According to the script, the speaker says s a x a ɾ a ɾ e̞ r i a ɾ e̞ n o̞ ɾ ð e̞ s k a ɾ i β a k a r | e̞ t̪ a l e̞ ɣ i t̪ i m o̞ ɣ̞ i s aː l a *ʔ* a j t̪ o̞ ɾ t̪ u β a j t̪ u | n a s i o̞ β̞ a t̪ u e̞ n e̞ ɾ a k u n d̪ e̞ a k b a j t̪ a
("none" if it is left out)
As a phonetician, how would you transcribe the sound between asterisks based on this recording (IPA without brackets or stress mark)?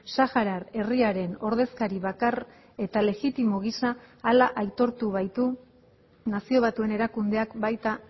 ʔ